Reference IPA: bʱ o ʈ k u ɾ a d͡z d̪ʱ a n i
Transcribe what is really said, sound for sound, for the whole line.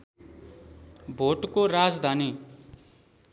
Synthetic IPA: bʱ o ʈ k o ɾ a d͡z d̪ʱ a n i